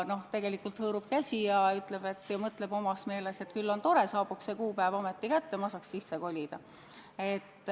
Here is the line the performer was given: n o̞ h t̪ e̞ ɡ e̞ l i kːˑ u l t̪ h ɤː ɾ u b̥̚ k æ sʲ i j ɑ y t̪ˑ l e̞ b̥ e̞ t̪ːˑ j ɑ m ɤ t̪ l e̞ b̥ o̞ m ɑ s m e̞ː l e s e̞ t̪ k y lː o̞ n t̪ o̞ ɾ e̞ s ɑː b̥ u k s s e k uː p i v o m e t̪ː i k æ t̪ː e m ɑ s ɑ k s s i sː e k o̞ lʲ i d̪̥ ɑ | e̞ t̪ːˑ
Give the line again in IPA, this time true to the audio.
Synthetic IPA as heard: n o̞ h t̪ e̞ ɡ e̞ l i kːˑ u l t̪ h ɤː ɾ u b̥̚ k æ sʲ i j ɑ y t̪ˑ l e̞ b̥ e̞ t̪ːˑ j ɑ m ɤ t̪ l e̞ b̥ o̞ m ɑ s m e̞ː l e s e̞ t̪ k y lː o̞ n t̪ o̞ ɾ e̞ s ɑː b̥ u k s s e k uː p æ v o m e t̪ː i k æ t̪ː e m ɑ s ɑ k s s i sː e k o̞ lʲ i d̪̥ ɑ | e̞ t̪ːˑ